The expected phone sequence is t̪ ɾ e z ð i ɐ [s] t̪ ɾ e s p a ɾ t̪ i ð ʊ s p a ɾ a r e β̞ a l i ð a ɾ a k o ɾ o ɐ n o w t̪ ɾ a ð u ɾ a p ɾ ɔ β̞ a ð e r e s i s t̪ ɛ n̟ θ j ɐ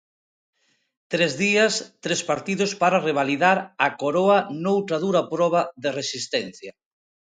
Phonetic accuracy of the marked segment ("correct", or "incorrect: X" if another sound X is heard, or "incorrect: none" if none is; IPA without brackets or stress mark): correct